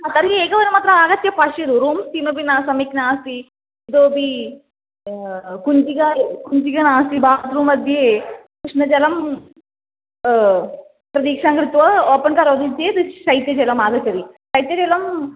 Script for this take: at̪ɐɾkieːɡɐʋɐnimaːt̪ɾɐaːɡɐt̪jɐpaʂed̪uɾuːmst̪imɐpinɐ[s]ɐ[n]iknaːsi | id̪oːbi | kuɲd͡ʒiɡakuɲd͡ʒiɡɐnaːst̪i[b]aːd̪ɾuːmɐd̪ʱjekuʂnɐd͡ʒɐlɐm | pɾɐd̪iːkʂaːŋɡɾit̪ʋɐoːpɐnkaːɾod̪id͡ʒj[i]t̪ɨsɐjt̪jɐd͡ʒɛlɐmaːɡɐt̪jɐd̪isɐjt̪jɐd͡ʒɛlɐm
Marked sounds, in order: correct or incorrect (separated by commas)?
correct, incorrect, correct, incorrect